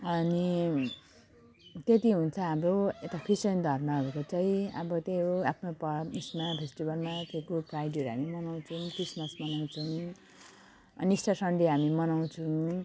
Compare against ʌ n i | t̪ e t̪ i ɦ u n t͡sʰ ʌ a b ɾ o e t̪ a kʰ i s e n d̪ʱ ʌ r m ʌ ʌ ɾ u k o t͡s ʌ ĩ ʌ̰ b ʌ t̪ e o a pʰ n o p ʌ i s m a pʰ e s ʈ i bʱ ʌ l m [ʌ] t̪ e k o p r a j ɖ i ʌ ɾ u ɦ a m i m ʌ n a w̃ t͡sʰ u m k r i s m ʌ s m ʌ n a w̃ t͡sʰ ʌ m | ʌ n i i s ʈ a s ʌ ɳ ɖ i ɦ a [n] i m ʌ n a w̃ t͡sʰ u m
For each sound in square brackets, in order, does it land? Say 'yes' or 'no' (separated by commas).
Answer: no, no